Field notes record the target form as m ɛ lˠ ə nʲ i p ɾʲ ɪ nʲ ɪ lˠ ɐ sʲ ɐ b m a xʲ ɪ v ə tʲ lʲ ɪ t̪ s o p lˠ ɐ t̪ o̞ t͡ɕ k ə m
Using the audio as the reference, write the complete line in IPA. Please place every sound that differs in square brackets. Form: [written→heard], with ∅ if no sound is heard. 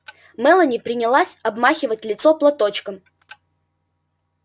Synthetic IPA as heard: m ɛ lˠ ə nʲ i p ɾʲ ɪ nʲ ɪ lˠ [ɐ→a] sʲ ɐ b m a xʲ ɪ v ə tʲ lʲ ɪ t̪ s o p lˠ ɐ t̪ o̞ t͡ɕ k ə m